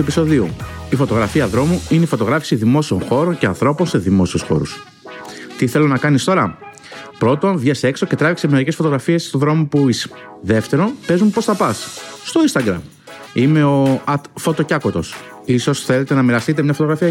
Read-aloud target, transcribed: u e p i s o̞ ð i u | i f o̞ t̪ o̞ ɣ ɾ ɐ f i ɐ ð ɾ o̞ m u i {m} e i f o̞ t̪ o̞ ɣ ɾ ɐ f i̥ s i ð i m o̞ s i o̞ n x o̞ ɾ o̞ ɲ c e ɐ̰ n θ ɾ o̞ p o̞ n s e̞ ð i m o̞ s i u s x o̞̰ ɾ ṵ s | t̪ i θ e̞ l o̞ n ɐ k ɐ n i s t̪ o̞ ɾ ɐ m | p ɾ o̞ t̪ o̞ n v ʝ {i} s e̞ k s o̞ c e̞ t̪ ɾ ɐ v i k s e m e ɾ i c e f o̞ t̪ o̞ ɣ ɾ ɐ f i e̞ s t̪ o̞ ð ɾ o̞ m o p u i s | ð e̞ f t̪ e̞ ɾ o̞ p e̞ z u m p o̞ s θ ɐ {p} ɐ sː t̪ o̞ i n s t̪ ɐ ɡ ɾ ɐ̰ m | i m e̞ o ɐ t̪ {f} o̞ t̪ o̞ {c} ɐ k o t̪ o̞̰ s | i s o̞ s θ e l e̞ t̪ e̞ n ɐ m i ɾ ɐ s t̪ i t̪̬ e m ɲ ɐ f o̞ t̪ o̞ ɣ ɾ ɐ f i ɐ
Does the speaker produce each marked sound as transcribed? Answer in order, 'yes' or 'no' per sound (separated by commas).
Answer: no, no, yes, yes, yes